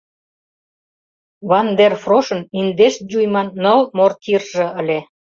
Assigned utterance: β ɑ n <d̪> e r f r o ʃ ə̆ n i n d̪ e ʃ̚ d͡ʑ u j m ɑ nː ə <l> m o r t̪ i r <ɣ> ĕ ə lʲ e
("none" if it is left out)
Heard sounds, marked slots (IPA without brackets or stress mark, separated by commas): d̪, l, ʒ